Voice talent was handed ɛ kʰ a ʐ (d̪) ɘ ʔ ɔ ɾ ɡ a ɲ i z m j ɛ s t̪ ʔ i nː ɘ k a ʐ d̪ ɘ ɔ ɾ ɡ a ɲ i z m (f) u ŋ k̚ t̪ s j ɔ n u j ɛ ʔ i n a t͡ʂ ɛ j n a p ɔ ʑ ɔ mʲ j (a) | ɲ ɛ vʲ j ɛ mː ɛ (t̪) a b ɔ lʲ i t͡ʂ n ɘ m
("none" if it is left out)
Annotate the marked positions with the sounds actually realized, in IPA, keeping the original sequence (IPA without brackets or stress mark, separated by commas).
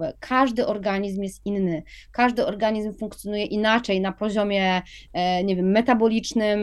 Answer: d̪, f, ɛ, t̪